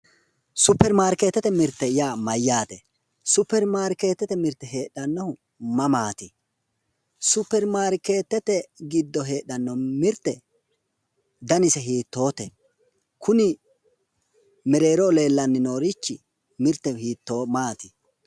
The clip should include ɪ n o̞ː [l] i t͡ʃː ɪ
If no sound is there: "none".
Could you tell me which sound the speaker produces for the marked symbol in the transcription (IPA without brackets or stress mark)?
ɾ